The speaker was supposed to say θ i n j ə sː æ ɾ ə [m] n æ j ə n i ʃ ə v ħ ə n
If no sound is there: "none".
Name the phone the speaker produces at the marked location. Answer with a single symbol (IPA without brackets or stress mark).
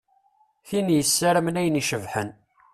m